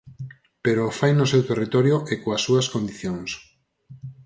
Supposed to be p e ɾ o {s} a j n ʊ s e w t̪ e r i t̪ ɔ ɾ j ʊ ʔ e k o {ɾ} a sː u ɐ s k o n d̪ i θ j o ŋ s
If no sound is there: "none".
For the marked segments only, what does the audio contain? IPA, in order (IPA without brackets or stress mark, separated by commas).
f, none